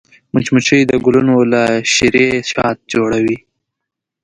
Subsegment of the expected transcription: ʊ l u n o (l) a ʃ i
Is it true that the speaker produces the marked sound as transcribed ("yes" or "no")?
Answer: yes